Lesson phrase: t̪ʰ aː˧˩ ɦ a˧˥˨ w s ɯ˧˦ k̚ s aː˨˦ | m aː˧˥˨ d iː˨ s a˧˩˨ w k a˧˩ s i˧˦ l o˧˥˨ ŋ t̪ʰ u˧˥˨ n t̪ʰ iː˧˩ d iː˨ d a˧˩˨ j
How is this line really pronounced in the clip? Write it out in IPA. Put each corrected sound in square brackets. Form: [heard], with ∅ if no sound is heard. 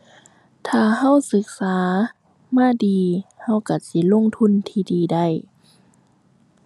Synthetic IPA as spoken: t̪ʰ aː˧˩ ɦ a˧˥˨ w s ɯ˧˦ k̚ s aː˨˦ | m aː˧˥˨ d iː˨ [h] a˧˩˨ w k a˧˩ s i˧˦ l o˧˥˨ ŋ t̪ʰ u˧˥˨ n t̪ʰ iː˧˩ d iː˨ d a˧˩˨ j